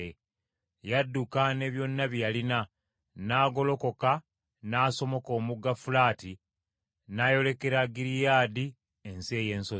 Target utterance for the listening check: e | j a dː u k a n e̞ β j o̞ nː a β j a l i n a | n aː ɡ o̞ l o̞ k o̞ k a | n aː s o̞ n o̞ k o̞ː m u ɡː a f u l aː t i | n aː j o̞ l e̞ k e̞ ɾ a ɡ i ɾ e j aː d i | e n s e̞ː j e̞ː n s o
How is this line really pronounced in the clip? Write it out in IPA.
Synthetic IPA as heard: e | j a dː u k a n e̞ β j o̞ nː a β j a l i n a | n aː ɡ o̞ l o̞ k o̞ k a | n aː s o̞ m o̞ k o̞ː m u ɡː a f u l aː t i | n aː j o̞ l e̞ k e̞ ɾ a ɡ i ɾ i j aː d i | e n s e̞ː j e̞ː n s o